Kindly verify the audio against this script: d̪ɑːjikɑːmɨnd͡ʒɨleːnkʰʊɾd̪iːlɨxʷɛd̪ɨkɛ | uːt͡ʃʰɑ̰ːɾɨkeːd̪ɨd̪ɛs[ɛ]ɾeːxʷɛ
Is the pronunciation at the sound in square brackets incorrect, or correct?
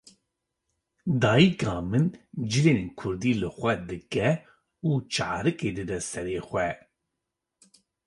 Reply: correct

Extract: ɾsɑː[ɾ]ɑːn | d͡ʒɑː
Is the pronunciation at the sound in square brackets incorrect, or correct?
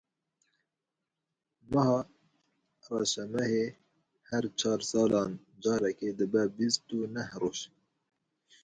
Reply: incorrect: l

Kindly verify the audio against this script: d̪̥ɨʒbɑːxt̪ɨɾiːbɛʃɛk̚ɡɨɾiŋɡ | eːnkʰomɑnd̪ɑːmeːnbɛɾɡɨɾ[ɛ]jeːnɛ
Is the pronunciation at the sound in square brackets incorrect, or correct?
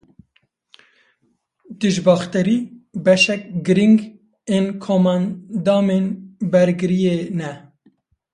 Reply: incorrect: i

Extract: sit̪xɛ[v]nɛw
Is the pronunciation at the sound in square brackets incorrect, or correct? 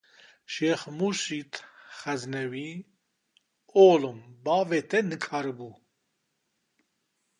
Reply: incorrect: z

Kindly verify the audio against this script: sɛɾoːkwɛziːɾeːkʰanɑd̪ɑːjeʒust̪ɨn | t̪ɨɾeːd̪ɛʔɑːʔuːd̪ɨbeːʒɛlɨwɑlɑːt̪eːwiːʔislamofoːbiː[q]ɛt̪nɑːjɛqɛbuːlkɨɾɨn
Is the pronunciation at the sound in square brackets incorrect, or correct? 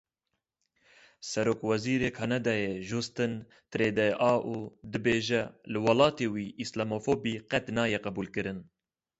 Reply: correct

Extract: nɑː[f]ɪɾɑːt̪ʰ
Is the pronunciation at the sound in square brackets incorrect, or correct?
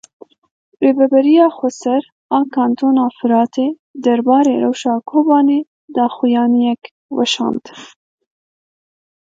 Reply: correct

